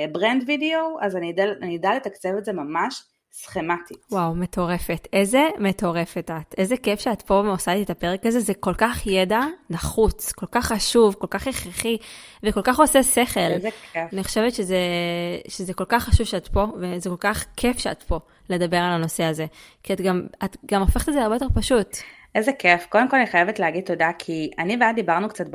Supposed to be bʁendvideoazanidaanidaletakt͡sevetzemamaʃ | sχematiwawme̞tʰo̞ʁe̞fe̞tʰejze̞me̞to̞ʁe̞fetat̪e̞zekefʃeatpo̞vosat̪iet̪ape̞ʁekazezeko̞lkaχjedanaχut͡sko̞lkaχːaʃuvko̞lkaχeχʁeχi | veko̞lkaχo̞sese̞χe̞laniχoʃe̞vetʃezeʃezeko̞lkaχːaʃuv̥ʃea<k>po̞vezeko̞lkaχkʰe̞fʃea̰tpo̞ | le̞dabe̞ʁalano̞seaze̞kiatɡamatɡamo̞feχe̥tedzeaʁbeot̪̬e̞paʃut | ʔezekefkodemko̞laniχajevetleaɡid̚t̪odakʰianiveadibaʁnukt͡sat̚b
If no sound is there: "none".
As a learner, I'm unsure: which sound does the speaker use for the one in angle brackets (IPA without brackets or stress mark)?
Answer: t